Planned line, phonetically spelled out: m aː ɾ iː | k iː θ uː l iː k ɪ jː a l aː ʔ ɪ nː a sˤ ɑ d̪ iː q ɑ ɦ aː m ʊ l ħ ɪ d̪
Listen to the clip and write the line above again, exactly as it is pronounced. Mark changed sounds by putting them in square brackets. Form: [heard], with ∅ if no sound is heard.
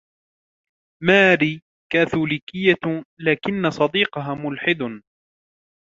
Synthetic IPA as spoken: m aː ɾ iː | k [aː] θ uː l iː k ɪ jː a l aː [k] ɪ nː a sˤ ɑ d̪ iː q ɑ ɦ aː m ʊ l ħ ɪ d̪